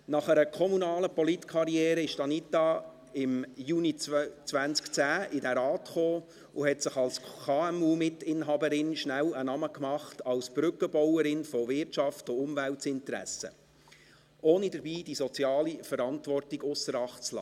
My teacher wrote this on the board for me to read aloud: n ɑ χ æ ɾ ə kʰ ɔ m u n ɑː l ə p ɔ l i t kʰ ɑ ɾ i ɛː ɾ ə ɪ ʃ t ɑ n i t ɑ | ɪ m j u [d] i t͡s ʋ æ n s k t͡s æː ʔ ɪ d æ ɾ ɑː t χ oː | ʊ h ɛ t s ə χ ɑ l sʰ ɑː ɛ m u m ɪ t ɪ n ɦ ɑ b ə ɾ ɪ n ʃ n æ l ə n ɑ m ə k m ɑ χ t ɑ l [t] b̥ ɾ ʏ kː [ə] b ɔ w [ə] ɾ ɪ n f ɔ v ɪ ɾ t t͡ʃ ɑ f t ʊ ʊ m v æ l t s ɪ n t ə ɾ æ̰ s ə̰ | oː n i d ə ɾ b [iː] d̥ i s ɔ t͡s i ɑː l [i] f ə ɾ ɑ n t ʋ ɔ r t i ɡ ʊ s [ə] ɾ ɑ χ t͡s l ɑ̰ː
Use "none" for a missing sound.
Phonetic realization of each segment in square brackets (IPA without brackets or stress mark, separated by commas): n, s, ə, ə, iː, i, ə